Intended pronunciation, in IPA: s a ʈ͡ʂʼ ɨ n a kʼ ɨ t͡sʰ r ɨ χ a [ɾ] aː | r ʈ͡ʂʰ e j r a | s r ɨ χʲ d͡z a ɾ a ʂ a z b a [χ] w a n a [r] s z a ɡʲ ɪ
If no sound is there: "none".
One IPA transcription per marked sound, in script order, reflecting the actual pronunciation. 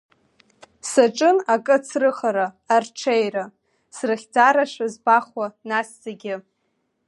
ɾ, χ, none

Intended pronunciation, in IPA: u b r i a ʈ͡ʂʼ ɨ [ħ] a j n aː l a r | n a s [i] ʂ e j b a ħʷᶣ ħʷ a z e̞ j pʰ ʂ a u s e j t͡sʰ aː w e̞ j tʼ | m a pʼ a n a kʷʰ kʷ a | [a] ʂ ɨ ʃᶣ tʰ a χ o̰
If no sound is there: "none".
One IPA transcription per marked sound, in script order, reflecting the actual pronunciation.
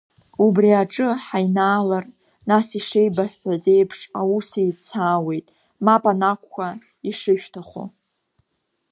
ħ, i, i

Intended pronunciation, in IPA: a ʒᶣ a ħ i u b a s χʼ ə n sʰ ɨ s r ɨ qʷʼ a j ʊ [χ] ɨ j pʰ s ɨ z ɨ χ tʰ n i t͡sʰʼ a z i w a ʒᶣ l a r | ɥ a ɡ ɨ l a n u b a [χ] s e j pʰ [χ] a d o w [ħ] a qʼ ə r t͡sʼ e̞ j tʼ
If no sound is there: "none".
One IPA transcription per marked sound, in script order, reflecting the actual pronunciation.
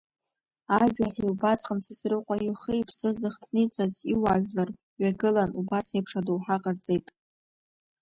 χ, none, ʂ, ħ

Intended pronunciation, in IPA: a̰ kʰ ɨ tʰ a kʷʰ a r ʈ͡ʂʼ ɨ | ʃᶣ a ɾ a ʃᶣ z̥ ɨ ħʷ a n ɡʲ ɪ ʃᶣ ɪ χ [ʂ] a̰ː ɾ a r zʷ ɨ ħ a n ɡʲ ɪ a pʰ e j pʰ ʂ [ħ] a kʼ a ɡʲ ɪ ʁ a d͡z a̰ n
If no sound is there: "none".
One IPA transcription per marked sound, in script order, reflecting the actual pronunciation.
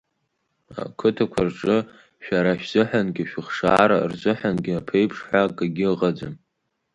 ʂ, ħ

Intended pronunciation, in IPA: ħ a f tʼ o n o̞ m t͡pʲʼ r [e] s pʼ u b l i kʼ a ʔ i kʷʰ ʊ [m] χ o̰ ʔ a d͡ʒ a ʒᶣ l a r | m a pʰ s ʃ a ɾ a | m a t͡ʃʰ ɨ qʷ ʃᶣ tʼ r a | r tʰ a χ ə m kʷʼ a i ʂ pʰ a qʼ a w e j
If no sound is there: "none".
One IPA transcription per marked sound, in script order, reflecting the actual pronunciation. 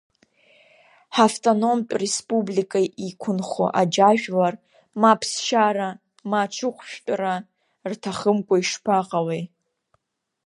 e, n

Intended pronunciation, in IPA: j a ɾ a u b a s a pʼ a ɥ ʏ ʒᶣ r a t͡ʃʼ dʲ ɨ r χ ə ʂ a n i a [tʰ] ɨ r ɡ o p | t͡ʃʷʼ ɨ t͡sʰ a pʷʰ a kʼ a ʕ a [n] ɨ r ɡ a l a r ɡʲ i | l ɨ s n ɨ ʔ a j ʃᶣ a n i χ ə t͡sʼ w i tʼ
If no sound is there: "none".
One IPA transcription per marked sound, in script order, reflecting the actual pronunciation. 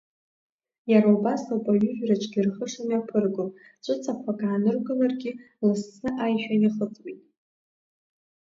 pʰ, n

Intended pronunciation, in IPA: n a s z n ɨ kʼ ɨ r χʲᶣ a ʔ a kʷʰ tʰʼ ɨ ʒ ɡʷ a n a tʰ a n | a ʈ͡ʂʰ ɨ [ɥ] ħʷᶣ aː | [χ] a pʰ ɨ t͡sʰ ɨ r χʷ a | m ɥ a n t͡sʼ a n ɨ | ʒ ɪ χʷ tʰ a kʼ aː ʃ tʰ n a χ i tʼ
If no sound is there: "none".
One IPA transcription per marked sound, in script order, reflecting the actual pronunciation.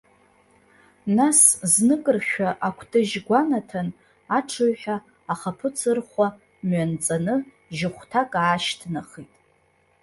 ɥ, χ

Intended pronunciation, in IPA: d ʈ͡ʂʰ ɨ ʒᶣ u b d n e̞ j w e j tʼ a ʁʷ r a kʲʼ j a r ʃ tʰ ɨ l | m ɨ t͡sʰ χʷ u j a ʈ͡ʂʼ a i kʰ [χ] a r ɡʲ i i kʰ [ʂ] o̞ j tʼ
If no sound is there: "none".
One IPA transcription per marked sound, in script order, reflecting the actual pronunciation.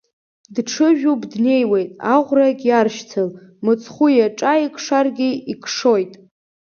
ʂ, ʂ

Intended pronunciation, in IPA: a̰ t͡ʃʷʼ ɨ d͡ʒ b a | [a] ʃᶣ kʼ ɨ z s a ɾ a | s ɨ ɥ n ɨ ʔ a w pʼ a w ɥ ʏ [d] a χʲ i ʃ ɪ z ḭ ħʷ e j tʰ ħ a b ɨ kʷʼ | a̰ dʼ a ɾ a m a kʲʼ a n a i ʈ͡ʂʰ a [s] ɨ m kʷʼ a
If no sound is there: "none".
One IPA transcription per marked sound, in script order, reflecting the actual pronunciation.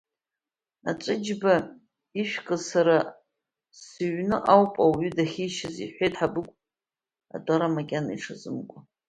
i, d, z

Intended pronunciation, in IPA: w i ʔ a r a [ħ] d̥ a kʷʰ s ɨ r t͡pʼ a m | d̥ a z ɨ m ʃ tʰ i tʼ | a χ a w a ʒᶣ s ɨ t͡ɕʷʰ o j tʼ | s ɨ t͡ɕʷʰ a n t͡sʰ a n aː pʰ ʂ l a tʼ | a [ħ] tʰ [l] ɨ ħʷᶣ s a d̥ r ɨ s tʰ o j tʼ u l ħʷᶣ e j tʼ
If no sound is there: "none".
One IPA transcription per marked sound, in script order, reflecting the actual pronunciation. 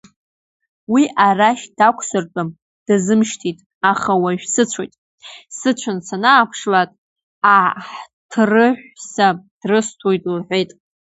ʃ, ħ, r

